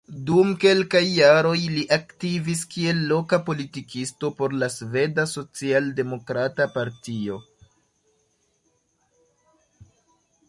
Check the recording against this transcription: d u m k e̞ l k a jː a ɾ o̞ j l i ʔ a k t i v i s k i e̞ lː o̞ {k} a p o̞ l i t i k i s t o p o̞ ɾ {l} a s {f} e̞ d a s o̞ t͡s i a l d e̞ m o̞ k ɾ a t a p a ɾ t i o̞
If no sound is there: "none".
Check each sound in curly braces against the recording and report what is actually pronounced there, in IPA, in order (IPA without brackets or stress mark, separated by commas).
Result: k, l, v